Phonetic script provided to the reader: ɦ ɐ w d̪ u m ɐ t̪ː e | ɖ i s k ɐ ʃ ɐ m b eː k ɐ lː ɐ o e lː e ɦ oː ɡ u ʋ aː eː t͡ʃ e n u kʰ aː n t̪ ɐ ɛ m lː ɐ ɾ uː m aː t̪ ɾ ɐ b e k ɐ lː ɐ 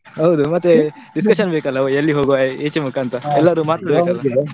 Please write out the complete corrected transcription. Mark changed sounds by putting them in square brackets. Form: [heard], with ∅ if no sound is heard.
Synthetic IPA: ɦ ɐ w d̪ u m ɐ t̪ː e | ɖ i s k ɐ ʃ ɐ [n] b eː k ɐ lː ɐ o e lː [i] ɦ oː ɡ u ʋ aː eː t͡ʃ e [m] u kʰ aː n t̪ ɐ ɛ [∅] lː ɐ ɾ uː m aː t̪ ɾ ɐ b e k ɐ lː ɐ

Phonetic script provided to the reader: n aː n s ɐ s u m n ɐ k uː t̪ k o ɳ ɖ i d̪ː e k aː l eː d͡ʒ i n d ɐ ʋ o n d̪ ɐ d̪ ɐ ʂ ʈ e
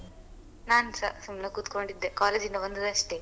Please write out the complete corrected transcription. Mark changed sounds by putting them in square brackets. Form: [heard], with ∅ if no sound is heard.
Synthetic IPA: n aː n s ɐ s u m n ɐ k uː t̪ k o ɳ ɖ i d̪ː e k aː l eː d͡ʒ i n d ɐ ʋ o n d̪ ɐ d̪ ɐ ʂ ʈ e

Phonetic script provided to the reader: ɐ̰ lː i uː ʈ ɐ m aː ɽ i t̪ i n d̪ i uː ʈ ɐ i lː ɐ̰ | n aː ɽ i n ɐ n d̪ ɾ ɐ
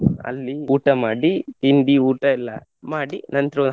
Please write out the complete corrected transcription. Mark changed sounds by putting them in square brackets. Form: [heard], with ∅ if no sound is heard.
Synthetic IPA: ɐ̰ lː i uː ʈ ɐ m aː ɽ i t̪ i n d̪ i uː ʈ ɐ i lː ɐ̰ | [m] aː ɽ i n ɐ n [t̪] ɾ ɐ

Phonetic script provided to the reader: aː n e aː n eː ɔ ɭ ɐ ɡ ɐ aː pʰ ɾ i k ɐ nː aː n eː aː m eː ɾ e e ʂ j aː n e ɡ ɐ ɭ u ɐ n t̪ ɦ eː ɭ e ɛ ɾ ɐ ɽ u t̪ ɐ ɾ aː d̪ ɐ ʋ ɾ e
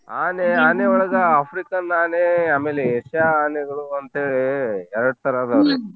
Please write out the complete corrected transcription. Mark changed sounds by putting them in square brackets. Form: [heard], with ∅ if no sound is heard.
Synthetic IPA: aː n e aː n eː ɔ ɭ ɐ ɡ ɐ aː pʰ ɾ i k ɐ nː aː n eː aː m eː [l] e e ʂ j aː n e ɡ ɐ ɭ u ɐ n t̪ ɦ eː ɭ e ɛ ɾ ɐ ɽ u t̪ ɐ ɾ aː d̪ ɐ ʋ ɾ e

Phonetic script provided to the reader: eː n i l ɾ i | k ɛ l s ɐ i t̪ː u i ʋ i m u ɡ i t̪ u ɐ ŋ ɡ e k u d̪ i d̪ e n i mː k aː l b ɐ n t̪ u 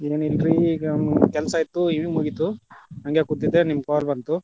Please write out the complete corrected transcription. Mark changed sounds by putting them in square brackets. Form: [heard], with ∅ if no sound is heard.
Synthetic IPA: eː n i l ɾ i | k ɛ l s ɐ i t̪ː u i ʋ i m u ɡ i t̪ u ɐ ŋ ɡ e k u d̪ i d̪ e n i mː k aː l b ɐ n t̪ u

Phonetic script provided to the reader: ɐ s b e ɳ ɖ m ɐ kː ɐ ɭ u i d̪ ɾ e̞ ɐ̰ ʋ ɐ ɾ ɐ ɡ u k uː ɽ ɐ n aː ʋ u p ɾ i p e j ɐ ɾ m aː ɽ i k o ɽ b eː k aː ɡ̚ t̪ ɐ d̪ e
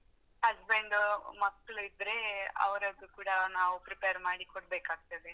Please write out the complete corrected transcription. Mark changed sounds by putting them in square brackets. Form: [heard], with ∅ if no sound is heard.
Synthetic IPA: ɐ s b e ɳ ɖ m ɐ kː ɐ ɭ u i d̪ ɾ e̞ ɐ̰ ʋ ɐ ɾ ɐ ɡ u k uː ɽ ɐ n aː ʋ u p ɾ i p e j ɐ ɾ m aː ɽ i k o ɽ b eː k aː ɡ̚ t̪ ɐ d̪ e

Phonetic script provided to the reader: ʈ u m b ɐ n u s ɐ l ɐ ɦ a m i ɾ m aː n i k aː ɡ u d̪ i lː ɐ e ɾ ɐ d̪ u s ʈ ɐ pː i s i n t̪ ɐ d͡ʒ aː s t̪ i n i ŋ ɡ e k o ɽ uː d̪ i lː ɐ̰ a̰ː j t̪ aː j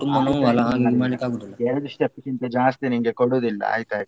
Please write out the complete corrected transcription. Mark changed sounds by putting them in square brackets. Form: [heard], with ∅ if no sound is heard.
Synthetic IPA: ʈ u m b ɐ n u [∅] ɐ l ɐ ɦ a [n] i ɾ m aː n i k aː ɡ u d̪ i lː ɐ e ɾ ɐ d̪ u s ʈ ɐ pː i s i n t̪ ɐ d͡ʒ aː s t̪ i n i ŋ ɡ e k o ɽ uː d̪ i lː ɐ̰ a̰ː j t̪ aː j

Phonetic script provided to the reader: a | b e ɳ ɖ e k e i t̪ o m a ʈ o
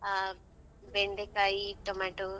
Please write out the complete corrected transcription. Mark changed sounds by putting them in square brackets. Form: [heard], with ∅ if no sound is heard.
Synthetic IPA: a | b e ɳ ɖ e k [a] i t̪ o m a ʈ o

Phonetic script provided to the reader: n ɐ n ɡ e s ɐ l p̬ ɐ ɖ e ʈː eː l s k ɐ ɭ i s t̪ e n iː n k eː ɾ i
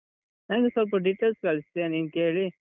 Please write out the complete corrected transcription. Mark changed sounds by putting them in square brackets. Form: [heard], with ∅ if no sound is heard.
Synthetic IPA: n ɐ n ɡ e s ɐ l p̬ ɐ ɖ [i] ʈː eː l s k ɐ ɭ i s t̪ e n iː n k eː [ɭ] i

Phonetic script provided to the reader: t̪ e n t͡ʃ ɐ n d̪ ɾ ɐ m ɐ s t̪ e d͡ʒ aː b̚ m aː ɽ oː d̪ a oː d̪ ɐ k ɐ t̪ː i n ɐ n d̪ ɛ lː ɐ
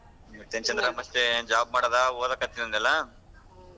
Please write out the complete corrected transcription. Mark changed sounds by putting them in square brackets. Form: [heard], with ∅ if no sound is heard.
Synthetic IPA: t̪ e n t͡ʃ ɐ n d̪ ɾ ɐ m ɐ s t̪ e d͡ʒ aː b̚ m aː ɽ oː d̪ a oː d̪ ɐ k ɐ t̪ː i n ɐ n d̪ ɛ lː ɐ

